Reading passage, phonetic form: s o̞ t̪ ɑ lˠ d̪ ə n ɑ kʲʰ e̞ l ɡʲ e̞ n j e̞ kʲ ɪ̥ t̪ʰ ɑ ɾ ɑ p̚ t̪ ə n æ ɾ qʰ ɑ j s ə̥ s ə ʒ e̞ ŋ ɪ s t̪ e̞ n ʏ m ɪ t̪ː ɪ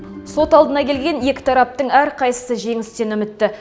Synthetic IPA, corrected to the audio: s o̞ t̪ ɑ lˠ d̪ ə n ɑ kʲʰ e̞ l ɡʲ e̞ n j e̞ kʲ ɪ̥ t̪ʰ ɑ ɾ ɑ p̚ t̪ ə ɴ æ ɾ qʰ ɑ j s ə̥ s ə ʒ e̞ ŋ ɪ s t̪ e̞ n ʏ m ɪ t̪ː ɪ